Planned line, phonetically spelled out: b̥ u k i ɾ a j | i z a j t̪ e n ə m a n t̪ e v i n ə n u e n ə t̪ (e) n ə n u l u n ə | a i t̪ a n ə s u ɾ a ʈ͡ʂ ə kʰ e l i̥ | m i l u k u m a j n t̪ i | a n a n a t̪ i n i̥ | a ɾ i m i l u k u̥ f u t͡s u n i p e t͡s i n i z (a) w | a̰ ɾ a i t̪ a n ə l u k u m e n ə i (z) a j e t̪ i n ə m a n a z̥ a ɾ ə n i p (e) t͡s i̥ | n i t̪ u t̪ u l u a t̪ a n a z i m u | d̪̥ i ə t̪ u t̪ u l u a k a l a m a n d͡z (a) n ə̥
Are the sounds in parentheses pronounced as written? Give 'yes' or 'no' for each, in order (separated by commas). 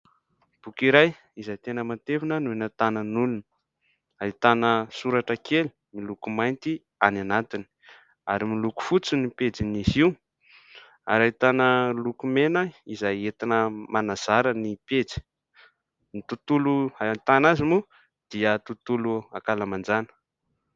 no, no, yes, yes, yes